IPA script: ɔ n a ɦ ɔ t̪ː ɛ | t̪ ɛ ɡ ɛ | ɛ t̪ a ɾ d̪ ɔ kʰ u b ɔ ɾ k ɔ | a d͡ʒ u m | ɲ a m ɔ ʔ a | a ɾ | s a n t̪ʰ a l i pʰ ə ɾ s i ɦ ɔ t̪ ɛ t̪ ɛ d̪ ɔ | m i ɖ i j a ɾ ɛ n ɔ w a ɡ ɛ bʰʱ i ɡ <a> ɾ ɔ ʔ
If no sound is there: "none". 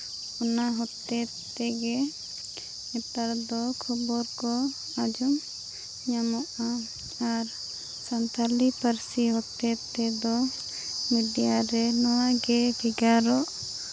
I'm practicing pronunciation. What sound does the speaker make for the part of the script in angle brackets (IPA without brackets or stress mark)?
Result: a